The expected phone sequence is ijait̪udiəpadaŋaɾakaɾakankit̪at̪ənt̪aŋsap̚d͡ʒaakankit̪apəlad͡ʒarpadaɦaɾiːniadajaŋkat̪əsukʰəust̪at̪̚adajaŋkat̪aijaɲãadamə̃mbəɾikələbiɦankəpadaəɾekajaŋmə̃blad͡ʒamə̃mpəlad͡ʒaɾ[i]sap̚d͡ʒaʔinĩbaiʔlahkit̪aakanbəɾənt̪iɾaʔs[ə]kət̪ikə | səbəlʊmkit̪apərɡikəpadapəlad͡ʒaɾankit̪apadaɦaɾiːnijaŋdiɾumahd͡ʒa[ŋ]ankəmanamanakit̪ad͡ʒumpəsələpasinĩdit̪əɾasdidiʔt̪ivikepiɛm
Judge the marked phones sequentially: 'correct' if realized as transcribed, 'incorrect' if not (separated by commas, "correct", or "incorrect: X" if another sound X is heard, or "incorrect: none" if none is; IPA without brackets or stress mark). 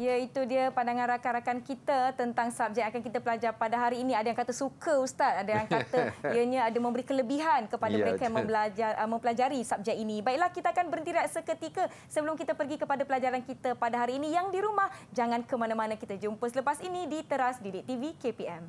correct, correct, correct